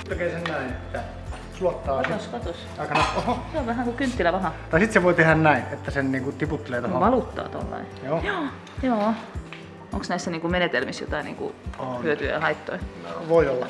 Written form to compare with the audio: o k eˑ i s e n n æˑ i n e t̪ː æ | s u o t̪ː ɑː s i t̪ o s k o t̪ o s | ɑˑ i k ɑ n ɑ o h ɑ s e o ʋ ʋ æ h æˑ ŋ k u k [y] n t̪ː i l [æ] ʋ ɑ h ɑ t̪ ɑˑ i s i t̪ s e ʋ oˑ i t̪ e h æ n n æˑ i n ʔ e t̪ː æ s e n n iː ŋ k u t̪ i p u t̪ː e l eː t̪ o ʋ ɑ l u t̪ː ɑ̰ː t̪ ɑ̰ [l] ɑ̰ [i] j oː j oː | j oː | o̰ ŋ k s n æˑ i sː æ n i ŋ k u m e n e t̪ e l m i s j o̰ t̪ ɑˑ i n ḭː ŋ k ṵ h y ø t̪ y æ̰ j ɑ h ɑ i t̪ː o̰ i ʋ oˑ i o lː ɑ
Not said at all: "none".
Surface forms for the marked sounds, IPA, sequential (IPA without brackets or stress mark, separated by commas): y, æ, lː, i